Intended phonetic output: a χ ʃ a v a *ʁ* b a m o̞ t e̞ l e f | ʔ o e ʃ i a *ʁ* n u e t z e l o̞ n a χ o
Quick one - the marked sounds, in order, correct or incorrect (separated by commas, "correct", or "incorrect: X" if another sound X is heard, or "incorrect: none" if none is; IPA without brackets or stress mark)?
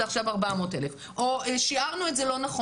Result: correct, correct